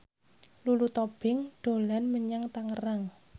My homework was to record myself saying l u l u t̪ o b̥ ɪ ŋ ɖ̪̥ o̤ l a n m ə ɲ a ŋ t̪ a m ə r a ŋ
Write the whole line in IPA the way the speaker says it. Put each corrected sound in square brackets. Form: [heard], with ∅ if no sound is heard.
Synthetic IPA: l u l u t̪ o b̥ ɪ ŋ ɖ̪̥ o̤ l a n m ə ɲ a ŋ t̪ a [ŋ] ə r a ŋ